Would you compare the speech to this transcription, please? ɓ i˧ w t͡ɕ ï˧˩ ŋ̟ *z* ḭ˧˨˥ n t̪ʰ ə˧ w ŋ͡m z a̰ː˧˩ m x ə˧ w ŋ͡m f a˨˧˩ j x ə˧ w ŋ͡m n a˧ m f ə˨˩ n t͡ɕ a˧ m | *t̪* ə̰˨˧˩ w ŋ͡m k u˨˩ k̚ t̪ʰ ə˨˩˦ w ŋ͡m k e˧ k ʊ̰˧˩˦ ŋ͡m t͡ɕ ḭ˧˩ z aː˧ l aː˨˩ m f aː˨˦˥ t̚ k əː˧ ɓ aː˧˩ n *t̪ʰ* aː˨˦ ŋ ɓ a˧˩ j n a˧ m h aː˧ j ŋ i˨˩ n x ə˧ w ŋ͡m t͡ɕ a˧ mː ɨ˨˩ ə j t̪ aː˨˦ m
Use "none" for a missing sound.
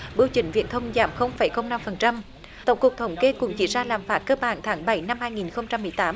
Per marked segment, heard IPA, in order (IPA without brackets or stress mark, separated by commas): v, t̪, t̪ʰ